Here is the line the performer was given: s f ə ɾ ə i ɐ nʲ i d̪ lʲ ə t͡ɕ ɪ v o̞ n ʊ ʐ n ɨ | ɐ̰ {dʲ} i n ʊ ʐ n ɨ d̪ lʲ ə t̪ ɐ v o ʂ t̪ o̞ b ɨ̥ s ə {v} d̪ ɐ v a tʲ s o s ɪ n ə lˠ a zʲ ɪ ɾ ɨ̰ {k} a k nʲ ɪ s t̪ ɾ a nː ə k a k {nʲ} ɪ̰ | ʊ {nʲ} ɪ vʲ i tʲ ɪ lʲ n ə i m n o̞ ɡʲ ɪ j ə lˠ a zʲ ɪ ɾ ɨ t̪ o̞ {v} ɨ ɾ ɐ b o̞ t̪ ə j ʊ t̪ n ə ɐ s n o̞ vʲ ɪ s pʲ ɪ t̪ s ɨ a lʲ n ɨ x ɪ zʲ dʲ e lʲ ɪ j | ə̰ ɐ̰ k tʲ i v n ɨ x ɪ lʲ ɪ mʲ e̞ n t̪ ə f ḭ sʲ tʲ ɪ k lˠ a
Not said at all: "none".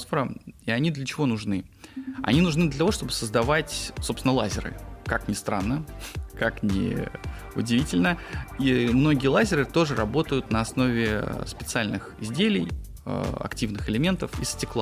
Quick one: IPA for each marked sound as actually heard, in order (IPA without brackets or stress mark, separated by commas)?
nʲ, z, k, nʲ, dʲ, ʐ